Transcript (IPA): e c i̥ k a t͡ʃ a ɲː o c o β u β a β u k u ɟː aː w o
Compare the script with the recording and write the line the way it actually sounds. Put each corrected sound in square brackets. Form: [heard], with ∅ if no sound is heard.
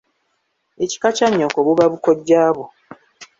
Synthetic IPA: e c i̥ k a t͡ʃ a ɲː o [k] o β u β a β u k [o] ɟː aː [β] o